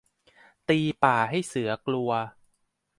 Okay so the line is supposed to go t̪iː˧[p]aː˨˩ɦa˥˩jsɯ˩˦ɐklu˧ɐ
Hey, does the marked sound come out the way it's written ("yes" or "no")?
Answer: yes